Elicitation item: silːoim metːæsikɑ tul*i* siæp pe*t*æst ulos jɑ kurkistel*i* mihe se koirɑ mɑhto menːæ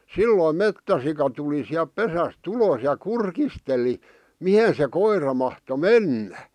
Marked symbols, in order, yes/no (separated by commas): yes, no, yes